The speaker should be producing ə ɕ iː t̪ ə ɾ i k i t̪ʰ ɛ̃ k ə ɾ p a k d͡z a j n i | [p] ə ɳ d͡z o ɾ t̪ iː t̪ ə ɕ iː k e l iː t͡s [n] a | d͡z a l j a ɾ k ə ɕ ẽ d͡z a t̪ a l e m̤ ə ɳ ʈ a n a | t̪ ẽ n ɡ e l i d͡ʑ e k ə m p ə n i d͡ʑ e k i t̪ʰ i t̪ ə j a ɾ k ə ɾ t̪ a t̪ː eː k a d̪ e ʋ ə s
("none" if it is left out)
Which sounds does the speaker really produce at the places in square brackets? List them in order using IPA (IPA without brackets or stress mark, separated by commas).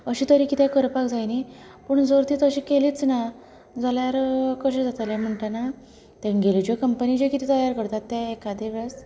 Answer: p, n